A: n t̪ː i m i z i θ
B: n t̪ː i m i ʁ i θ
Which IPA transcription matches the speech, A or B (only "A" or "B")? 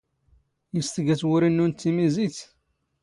A